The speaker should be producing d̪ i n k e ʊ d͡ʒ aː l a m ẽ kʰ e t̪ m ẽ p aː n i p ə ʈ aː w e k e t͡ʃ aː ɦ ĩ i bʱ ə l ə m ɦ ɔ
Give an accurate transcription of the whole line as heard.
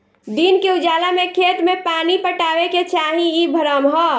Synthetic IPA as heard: d̪ i n k e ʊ d͡ʒ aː l a m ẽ kʰ e t̪ m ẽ p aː n i p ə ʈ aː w e k e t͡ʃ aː ɦ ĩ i bʱ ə ɾ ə m ɦ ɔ